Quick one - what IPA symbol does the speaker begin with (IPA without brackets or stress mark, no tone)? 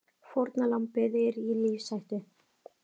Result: f